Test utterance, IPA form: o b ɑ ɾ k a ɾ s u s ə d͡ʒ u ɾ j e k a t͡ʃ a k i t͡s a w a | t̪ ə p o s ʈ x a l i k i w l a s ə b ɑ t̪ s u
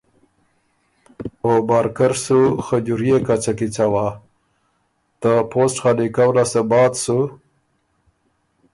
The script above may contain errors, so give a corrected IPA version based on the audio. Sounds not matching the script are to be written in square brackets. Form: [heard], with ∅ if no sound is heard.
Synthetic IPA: o b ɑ ɾ k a ɾ s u [x] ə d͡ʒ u ɾ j e k a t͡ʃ a k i t͡s a w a | t̪ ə p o s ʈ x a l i k [a] w l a s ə b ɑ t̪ s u